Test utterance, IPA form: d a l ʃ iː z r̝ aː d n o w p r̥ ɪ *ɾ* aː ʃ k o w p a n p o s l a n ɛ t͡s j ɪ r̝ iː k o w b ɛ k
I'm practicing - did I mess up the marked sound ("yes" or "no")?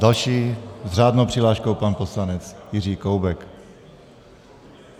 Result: yes